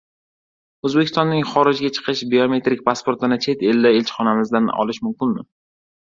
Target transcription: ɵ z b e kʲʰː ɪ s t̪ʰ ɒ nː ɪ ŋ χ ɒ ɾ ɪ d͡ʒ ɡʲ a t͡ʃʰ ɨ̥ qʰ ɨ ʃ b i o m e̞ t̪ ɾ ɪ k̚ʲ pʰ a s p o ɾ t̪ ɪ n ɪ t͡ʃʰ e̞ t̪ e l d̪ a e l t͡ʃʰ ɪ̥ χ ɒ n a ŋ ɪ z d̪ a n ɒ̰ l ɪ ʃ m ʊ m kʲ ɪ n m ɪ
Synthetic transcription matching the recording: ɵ z b e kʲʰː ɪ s t̪ ɒ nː ɪ ŋ χ ɒ ɾ ɪ d͡ʒ ɡʲ a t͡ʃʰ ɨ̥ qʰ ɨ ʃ b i o m e̞ t̪ ɾ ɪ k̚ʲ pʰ a s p o ɾ t̪ ɪ n ɪ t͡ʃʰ e̞ t̪ e l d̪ a e l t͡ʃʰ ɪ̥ χ ɒ n a m ɪ z d̪ a n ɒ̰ l ɪ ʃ m ʊ m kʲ ɪ n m ɪ

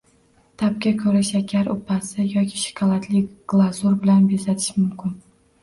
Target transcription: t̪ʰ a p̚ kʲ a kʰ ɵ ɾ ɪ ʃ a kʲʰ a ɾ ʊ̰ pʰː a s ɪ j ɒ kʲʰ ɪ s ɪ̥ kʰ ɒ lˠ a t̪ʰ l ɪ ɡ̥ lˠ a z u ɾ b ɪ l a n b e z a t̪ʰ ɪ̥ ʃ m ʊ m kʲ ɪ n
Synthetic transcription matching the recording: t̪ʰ a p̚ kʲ a kʰ ɵ ɾ ɪ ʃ a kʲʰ a ɾ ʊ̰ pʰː a s ɪ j ɒ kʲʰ ɪ ʃ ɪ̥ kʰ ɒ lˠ a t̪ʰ l ɪ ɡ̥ lˠ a z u ɾ b ɪ l a n b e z a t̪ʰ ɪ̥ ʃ m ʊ m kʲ ɪ n

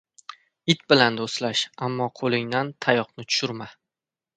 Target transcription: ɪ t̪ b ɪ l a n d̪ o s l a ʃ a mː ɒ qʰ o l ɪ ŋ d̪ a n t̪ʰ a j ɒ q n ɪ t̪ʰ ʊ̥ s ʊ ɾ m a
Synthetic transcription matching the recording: ɪ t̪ b ɪ l a n d̪ o s l a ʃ a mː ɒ qʰ o l ɪ ŋ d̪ a n t̪ʰ a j ɒ q n ɪ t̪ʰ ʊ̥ ʃ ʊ ɾ m a

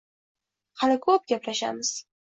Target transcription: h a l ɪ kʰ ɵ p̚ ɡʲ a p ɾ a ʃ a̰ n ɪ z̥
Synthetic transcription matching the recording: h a l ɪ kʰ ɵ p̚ ɡʲ a p l a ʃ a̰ m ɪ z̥

